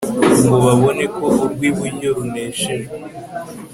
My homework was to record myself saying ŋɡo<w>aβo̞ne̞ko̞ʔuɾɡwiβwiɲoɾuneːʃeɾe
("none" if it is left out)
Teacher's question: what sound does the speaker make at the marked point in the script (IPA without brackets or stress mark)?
β